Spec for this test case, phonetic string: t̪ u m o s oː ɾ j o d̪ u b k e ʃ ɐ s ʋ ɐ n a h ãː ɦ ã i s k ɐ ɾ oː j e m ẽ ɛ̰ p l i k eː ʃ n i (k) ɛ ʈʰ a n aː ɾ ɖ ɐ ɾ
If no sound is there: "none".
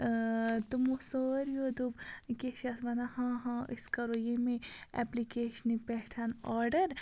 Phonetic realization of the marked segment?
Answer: p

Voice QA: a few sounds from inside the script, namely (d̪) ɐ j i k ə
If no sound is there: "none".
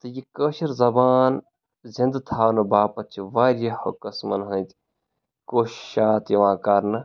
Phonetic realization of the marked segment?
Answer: t̪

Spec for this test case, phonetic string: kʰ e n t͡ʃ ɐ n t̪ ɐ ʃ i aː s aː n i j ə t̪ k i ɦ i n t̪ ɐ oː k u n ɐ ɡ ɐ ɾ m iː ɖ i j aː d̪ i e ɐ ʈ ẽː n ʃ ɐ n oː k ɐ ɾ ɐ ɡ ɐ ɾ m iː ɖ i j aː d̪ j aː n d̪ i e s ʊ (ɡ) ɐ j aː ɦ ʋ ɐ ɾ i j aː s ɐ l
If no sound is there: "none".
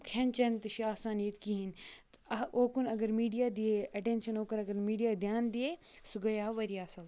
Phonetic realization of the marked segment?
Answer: ɡ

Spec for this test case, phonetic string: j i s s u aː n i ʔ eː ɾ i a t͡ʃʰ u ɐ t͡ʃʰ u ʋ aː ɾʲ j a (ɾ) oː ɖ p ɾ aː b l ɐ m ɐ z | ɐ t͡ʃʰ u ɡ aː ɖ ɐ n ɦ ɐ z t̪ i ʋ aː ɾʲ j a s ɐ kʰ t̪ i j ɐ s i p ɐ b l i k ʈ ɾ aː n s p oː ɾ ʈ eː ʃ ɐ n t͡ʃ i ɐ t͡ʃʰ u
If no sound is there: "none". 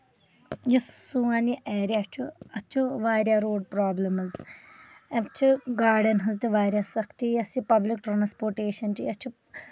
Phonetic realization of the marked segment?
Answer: ɾ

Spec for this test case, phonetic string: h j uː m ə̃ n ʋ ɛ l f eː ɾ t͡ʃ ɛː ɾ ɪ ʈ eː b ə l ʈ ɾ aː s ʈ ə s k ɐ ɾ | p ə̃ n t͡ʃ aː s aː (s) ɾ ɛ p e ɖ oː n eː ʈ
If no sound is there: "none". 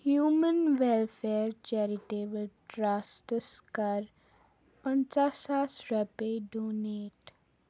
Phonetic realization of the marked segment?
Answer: s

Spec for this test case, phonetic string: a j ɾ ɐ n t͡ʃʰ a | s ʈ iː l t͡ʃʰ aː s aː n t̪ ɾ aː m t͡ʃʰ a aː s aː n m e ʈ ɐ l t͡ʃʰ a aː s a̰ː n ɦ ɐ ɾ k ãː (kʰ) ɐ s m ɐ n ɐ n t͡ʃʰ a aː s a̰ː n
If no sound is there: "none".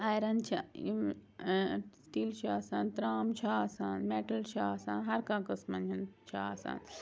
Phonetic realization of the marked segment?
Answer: k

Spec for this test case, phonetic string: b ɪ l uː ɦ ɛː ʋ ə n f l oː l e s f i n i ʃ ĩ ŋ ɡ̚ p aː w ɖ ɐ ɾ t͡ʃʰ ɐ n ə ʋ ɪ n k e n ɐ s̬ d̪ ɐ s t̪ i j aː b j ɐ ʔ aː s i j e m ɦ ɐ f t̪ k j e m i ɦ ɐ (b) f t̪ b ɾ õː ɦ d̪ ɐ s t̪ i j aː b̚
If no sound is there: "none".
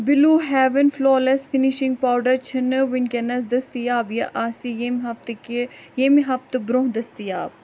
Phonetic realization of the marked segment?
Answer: none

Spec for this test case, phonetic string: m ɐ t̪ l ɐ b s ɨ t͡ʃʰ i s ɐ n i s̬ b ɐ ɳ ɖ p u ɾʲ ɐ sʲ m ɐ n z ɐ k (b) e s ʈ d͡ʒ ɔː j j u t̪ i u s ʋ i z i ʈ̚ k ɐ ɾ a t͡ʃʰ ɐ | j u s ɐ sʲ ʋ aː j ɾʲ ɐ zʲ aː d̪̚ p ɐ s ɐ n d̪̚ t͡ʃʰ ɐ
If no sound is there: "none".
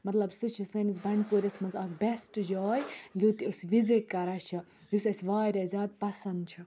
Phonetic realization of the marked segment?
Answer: b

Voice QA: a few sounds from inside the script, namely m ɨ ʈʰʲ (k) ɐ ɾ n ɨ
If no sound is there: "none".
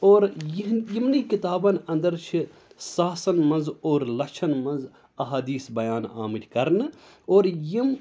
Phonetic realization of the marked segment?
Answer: k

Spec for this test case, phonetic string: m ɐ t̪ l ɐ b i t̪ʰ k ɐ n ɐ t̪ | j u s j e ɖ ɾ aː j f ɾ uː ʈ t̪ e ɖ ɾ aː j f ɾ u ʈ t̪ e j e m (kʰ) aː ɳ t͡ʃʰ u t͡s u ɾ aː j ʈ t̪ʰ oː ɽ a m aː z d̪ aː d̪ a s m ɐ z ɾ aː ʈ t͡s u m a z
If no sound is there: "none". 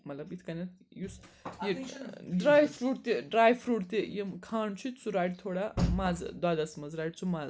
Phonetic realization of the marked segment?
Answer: kʰ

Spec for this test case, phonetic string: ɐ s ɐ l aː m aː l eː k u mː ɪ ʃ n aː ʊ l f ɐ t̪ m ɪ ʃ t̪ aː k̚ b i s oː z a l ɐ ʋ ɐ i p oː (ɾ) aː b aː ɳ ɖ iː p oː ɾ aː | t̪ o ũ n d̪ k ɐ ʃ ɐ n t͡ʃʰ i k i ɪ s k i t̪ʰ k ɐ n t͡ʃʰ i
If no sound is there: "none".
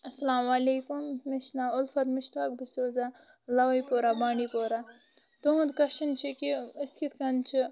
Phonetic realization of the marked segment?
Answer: ɾ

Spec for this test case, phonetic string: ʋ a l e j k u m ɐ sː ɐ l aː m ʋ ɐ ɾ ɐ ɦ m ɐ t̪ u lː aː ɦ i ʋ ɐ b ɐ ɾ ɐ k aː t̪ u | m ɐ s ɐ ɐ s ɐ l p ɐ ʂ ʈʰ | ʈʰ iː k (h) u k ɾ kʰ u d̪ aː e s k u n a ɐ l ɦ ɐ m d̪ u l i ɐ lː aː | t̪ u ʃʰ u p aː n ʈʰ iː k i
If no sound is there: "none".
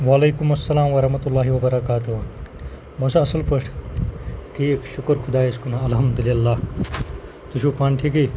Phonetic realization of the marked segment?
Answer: ʃ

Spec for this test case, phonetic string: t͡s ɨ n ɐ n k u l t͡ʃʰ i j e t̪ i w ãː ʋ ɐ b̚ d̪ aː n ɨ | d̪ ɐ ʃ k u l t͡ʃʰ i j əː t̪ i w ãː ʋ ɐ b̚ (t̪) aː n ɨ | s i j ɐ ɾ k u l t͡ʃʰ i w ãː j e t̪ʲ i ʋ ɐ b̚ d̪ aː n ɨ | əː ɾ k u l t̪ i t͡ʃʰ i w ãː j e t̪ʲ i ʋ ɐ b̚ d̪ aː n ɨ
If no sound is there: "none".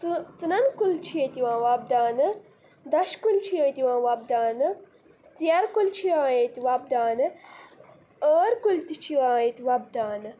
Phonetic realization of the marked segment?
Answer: d̪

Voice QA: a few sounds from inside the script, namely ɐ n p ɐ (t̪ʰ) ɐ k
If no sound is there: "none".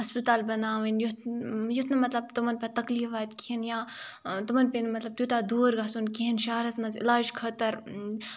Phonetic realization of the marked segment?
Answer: t̪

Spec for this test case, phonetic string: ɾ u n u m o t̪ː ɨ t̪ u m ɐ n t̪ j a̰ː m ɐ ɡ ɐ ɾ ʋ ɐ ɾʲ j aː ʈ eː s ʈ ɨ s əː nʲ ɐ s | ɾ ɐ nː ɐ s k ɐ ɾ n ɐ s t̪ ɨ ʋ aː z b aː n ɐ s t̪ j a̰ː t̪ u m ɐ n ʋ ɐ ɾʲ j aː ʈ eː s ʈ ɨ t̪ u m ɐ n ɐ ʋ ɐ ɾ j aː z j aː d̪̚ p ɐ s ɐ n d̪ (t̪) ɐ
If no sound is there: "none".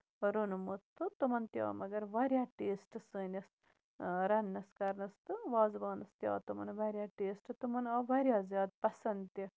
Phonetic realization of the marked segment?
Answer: t̪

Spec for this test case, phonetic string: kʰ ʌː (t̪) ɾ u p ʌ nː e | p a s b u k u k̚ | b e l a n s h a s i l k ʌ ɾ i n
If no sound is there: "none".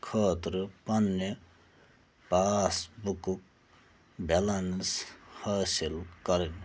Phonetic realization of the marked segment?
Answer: t̪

